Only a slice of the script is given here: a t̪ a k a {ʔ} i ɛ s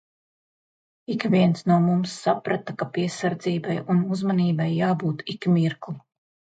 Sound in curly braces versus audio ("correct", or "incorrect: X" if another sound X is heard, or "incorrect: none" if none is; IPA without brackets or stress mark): incorrect: p